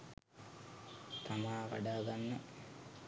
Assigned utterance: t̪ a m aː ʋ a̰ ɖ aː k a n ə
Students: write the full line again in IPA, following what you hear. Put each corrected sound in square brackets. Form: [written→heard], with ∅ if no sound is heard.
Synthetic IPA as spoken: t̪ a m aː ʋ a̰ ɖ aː [k→ɡ] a [n→nː] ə